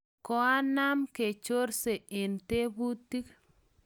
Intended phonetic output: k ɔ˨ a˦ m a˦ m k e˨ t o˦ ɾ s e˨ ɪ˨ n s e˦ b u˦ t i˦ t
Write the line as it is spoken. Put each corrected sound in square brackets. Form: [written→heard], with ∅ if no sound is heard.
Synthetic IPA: k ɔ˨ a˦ [m→n] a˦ m k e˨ [t→t͡ʃ] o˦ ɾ s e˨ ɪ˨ n [s→t] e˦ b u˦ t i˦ [t→k]